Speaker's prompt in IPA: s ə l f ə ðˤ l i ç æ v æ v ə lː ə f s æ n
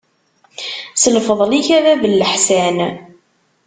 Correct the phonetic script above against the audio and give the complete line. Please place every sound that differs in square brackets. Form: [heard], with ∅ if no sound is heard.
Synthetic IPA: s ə l f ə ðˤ l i ç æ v æ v ə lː ə [ħ] s æ n